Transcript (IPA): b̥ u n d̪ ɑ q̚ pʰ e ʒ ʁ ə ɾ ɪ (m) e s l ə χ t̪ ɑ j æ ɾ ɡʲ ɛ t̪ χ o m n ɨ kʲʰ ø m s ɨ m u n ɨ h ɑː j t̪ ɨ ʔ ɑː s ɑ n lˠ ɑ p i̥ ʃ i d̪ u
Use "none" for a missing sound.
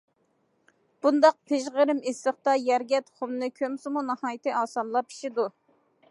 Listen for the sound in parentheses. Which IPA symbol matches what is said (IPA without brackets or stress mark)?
m